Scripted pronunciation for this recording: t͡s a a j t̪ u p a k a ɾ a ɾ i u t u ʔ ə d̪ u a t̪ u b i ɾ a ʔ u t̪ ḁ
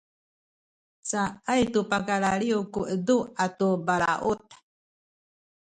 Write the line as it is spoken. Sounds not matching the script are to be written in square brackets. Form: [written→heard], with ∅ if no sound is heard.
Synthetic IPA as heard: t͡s a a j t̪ u p a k a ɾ a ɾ i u [t→k] u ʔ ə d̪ u a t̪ u b [i→a] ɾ a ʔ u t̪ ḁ